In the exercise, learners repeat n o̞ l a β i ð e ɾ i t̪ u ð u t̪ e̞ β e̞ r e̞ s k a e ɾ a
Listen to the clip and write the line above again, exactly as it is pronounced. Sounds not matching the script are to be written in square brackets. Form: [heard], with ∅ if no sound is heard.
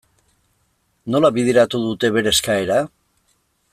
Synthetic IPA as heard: n o̞ l a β i ð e ɾ [a] t̪ u ð u t̪ e̞ β e̞ [ɾ] e̞ s k a e ɾ a